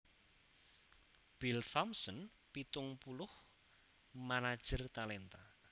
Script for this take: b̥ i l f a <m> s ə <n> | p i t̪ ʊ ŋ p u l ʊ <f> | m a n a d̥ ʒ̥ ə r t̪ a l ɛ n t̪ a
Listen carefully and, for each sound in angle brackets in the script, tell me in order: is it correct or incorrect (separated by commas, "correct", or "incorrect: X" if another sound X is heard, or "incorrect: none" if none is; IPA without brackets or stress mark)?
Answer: correct, correct, incorrect: h